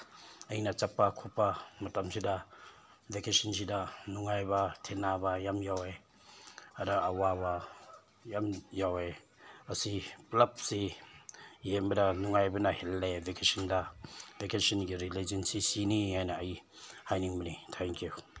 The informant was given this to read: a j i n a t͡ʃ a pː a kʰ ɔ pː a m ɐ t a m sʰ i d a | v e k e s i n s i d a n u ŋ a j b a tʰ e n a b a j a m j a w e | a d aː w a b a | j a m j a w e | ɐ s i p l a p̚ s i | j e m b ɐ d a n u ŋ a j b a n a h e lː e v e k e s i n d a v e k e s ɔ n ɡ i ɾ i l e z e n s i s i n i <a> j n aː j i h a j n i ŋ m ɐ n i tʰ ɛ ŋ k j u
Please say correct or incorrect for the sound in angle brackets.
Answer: correct